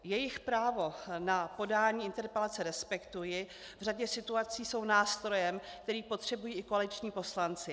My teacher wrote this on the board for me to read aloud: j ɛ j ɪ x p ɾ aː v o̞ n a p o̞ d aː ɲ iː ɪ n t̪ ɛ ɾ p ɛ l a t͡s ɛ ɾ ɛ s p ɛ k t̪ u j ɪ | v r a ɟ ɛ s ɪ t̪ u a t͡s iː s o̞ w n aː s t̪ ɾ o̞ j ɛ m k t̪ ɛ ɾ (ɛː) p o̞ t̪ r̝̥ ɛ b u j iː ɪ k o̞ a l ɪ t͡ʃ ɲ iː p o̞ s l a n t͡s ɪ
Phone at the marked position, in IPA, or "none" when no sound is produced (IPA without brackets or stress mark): iː